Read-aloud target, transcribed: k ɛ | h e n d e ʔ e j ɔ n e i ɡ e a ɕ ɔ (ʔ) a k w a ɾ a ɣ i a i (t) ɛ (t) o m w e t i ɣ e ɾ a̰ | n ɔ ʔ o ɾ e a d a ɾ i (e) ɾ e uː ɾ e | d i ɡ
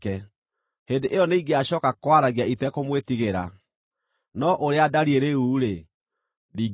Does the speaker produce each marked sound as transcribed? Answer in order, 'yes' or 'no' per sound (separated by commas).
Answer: no, yes, no, yes